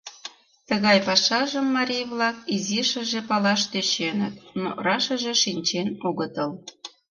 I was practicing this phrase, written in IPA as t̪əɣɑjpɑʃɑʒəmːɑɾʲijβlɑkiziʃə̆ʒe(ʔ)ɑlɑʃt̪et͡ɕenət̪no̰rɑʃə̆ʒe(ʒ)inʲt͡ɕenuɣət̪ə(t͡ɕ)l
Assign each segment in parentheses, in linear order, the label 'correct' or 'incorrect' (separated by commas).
incorrect, incorrect, incorrect